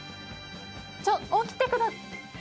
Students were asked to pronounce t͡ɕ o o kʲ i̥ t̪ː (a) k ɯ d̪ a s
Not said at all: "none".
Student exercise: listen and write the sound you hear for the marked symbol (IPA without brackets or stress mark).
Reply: e